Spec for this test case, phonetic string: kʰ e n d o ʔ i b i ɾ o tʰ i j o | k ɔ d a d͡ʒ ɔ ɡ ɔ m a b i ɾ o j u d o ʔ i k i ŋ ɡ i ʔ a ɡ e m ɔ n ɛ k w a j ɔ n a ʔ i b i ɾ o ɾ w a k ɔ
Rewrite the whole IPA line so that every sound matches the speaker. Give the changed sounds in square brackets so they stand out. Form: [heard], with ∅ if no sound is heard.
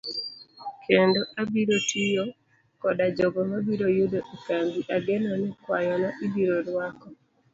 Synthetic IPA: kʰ e n d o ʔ [a] b i ɾ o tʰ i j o | k ɔ d a d͡ʒ ɔ ɡ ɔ m a b i ɾ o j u d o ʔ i k [a] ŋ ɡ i ʔ a ɡ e [n] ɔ n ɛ k w a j ɔ n a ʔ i b i ɾ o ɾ w a k ɔ